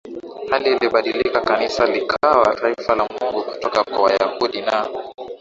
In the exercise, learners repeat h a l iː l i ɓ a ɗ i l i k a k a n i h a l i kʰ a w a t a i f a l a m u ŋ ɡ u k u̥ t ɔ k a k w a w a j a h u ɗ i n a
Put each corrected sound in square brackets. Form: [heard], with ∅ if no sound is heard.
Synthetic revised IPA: h a l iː l i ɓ a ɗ i l i k a k a n i [s] a l i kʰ a w a t a i f a l a m u ŋ ɡ u k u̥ t ɔ k a k w a w a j a h u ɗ i n a